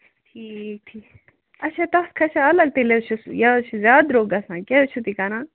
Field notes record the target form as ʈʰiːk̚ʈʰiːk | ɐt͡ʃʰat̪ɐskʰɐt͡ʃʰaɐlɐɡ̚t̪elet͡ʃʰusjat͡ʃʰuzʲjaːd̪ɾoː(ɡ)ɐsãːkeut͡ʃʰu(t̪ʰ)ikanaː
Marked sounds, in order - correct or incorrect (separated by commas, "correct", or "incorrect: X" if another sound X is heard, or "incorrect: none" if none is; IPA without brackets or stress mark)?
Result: correct, incorrect: t̪